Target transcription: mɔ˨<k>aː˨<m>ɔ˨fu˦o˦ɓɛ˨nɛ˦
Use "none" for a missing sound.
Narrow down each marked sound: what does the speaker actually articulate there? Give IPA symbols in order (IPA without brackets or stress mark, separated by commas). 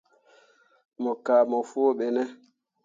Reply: k, m